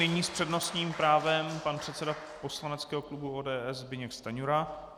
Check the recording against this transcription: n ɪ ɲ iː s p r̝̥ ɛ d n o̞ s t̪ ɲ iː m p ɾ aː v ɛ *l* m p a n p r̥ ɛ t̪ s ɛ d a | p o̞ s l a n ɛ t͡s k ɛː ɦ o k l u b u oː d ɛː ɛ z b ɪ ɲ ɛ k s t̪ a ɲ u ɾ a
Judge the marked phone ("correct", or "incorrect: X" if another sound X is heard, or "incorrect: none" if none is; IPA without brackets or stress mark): incorrect: none